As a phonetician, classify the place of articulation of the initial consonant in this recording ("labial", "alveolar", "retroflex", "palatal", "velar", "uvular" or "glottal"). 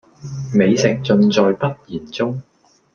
labial